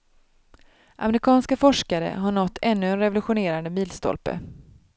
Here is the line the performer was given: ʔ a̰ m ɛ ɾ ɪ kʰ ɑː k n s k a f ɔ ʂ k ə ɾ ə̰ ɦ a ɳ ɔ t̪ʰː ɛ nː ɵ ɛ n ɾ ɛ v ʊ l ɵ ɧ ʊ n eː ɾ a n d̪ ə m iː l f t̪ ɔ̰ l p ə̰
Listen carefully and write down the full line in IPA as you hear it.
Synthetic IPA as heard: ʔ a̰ m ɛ ɾ ɪ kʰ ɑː n s k a f ɔ ʂ k a ɾ ə̰ ɦ a ɳ ɔ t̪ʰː ɛ nː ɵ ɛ n ɾ ɛ v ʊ l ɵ ɧ ʊ n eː ɾ a n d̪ ə m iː l s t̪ ɔ̰ l p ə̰